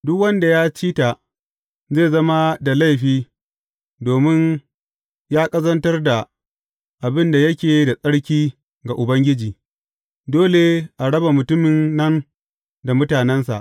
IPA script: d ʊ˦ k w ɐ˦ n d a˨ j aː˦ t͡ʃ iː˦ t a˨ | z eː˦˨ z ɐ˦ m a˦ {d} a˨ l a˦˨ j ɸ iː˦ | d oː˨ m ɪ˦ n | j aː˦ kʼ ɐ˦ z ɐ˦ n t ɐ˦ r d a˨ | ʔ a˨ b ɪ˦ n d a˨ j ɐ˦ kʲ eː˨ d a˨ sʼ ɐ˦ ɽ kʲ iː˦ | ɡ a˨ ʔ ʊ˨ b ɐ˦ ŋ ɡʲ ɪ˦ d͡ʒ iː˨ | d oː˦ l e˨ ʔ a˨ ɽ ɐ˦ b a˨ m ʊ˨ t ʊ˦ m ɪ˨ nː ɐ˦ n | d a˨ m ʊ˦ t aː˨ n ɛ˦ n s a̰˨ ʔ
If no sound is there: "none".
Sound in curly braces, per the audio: d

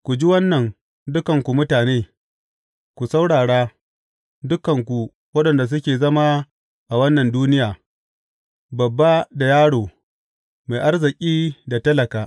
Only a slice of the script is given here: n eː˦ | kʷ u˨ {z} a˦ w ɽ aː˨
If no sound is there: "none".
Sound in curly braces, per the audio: s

